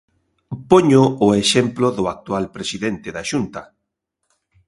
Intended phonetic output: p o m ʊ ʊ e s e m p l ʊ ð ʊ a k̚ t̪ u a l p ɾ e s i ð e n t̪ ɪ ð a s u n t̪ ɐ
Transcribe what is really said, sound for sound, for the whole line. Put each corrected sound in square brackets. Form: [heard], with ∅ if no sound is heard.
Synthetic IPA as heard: p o [ɲ] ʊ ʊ e [ʃ] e m p l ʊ ð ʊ a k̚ t̪ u a l p ɾ e s i ð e n t̪ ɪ ð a [ʃ] u n t̪ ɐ